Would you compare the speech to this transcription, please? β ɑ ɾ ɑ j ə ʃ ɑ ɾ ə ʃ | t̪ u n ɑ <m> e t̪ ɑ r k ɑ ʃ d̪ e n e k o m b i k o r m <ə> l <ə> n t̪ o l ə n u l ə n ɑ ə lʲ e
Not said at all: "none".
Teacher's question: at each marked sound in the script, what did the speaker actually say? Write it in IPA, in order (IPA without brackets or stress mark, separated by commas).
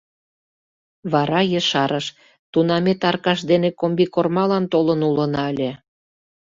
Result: m, ɑ, ɑ